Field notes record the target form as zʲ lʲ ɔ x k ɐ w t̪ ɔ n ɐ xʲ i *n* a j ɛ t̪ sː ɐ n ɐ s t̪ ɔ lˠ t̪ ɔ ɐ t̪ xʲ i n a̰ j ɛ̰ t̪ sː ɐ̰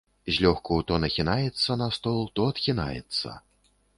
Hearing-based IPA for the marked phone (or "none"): n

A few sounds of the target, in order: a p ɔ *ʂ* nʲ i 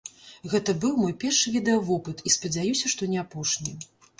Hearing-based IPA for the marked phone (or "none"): ʂ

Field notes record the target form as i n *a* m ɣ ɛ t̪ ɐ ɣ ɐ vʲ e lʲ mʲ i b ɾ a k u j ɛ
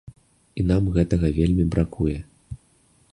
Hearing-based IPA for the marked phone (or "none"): a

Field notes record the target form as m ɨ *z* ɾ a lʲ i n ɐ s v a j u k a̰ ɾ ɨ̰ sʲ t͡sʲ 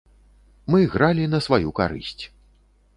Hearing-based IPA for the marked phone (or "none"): ɣ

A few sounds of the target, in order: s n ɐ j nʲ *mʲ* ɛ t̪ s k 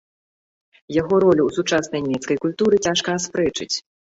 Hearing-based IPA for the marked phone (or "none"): mʲ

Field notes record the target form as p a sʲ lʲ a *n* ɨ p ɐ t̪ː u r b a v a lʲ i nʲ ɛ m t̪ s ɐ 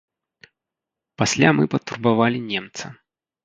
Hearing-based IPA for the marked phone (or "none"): m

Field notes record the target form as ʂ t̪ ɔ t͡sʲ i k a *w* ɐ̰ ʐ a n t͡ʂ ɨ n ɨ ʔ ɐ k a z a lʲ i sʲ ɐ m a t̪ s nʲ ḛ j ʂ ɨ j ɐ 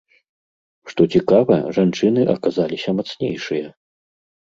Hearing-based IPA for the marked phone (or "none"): v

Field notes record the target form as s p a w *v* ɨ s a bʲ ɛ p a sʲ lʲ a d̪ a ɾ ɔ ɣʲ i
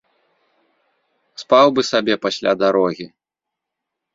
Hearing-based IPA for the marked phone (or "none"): b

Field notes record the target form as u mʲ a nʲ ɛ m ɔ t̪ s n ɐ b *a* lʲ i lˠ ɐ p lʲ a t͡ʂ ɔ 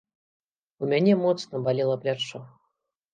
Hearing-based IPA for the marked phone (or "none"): a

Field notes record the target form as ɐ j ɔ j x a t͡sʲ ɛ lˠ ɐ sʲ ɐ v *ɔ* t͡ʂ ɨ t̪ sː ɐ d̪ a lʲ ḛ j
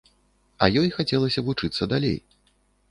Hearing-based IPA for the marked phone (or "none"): u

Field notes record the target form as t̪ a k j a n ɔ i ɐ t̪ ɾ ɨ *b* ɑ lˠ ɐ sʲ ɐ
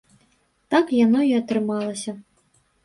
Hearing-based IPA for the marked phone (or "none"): m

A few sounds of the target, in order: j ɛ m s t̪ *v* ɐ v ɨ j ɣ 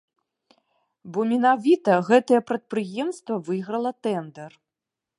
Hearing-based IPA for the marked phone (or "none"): v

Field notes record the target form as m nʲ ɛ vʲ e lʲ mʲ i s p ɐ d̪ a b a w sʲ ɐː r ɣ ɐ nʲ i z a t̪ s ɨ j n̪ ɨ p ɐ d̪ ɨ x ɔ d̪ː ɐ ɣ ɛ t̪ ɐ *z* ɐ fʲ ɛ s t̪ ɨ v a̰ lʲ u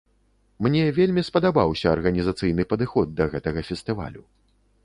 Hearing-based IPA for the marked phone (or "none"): ɣ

